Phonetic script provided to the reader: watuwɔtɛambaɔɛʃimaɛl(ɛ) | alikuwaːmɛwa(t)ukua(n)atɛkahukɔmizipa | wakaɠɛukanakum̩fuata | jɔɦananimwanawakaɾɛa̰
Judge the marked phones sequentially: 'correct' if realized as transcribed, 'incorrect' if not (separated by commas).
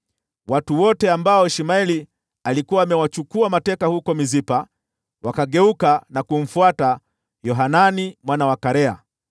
incorrect, incorrect, incorrect